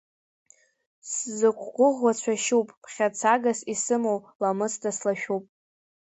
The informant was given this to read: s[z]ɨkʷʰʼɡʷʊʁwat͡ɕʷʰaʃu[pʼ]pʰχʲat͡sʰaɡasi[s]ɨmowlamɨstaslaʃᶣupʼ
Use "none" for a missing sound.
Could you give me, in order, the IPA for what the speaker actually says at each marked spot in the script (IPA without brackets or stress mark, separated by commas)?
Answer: z, pʼ, s